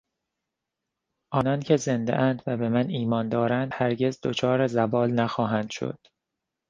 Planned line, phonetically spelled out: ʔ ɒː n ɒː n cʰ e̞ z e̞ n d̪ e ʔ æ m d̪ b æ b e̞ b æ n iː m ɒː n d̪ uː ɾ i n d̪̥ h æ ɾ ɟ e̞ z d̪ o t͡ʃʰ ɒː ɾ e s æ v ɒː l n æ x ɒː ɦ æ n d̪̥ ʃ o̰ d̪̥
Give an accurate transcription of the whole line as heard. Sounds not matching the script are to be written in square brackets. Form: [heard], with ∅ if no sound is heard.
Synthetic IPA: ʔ ɒː n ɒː n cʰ e̞ z e̞ n d̪ e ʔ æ [n] d̪ [v] æ b e̞ [m] æ n iː m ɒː n d̪ [ɒː] ɾ [æ] n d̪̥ h æ ɾ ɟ e̞ z d̪ o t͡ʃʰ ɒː ɾ e [z] æ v ɒː l n æ x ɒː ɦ æ n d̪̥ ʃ o̰ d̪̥